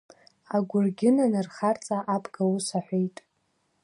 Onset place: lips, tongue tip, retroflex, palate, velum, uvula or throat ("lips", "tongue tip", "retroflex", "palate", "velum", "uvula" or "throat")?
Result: velum